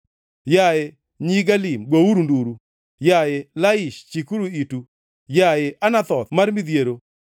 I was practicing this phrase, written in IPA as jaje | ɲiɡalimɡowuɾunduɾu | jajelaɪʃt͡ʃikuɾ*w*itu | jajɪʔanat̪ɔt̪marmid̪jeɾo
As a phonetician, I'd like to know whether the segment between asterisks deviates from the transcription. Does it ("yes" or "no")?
yes